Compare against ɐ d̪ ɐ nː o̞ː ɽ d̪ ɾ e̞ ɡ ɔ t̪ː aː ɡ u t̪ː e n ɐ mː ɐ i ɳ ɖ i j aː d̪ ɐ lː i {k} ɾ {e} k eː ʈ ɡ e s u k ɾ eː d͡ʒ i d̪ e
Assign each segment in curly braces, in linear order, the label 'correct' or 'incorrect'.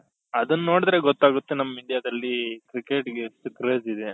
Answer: correct, incorrect

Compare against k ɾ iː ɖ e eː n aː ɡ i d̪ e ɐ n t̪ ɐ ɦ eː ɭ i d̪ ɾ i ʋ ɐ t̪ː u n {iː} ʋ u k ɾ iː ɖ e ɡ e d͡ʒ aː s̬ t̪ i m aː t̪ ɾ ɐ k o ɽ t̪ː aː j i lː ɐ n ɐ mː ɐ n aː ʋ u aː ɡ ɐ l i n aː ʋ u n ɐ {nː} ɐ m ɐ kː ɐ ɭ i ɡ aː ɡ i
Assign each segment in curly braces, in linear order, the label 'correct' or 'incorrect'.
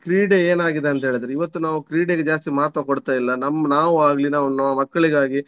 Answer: incorrect, incorrect

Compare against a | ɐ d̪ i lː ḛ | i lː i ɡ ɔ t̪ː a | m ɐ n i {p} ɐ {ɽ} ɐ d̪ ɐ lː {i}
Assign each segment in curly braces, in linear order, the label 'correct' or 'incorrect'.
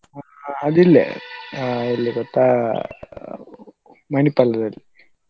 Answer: correct, incorrect, correct

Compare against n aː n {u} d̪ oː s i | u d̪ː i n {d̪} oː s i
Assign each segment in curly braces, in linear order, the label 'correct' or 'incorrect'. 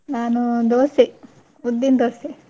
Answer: correct, correct

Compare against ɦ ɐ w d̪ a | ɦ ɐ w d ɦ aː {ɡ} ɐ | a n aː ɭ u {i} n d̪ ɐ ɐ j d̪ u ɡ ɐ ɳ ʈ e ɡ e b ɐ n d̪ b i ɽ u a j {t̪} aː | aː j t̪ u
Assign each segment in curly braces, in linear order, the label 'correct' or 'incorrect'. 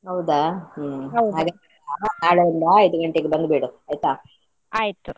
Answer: correct, correct, correct

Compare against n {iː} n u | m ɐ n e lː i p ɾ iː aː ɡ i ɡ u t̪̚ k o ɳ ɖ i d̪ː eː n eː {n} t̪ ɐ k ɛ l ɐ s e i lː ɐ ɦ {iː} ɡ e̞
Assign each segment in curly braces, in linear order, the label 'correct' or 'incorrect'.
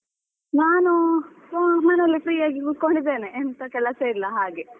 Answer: incorrect, correct, incorrect

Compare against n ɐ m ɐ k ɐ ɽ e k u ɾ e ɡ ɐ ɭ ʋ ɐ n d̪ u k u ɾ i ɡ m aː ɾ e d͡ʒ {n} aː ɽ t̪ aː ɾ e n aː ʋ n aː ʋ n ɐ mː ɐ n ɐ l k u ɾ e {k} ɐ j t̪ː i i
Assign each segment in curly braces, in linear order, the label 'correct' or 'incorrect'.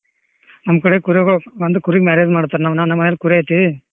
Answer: incorrect, incorrect

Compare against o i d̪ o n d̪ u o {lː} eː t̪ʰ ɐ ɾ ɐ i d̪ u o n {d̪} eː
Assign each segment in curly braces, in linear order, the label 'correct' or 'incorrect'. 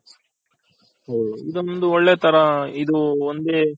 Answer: incorrect, correct

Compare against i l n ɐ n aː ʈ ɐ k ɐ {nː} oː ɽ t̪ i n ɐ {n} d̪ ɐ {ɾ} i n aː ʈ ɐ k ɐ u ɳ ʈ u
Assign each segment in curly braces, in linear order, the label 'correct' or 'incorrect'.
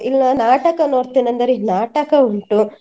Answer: incorrect, correct, correct

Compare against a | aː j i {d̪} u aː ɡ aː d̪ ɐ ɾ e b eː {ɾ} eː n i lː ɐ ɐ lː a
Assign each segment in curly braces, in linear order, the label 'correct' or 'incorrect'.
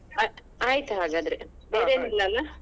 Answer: incorrect, correct

